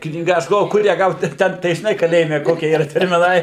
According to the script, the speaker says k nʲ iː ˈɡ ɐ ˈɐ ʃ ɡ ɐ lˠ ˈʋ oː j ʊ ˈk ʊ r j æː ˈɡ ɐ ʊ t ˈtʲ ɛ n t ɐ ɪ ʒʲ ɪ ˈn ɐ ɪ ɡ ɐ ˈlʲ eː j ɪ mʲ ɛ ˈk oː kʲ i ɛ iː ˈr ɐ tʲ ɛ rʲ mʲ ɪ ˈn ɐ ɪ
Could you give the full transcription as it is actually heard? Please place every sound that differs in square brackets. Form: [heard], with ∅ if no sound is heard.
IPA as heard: k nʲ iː ˈɡ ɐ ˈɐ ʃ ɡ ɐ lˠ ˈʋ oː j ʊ ˈk ʊ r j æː ˈɡ ɐ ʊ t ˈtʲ ɛ n t ɐ ɪ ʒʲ ɪ ˈn ɐ ɪ [k] ɐ ˈlʲ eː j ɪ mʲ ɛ ˈk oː kʲ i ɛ iː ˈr ɐ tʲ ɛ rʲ mʲ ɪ ˈn ɐ ɪ